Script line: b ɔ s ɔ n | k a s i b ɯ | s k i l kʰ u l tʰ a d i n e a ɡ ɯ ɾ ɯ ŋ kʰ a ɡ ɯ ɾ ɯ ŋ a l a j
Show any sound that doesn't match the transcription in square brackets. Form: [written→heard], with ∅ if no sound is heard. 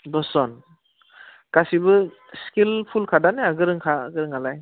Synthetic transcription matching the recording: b ɔ s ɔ n | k a s i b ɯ | s k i l [kʰ→pʰ] u l [tʰ→kʰ] a d [i→a] n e a ɡ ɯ ɾ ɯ ŋ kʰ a ɡ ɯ ɾ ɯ ŋ a l a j